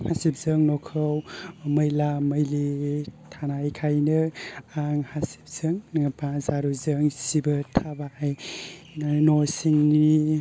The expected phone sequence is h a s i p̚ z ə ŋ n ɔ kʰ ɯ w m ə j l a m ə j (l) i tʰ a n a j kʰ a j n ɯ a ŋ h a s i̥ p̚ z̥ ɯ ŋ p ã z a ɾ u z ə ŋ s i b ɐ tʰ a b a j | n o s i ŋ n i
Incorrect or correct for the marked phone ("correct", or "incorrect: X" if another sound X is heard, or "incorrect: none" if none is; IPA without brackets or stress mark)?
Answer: correct